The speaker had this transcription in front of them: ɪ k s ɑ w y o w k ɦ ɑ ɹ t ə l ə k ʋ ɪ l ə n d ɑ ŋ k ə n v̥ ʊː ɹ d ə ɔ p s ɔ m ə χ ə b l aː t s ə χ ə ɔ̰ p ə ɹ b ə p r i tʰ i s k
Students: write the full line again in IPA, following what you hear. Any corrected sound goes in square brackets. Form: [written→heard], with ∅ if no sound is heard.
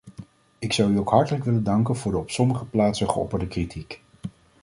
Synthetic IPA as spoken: ɪ k s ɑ w y o w k ɦ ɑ ɹ t ə l ə k ʋ ɪ l ə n d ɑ ŋ k ə n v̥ ʊː ɹ d ə ɔ p s ɔ m ə χ ə [b→p] l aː t s ə χ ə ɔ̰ p ə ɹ [b→d] ə [p→k] r i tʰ i [s→∅] k